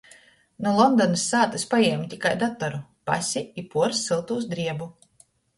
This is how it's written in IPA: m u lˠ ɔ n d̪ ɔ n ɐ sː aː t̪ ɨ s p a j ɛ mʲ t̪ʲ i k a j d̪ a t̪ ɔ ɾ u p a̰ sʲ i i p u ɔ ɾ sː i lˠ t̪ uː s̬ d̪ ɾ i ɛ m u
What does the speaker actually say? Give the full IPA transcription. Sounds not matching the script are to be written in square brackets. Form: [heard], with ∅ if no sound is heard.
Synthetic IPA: [n] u lˠ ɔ n d̪ ɔ n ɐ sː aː t̪ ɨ s p a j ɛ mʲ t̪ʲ i k a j d̪ a t̪ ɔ ɾ u p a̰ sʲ i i p u ɔ ɾ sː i lˠ t̪ uː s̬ d̪ ɾ i ɛ [b] u